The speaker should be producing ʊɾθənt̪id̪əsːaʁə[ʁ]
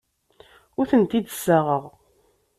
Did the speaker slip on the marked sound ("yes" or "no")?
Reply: no